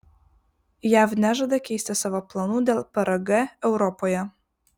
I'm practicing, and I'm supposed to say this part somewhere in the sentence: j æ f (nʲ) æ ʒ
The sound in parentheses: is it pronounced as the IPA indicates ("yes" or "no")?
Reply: yes